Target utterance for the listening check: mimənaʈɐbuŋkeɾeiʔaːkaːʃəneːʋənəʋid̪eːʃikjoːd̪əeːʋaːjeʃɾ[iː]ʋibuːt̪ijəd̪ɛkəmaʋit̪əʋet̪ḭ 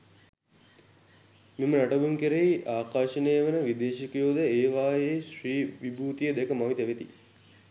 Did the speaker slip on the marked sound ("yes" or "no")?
no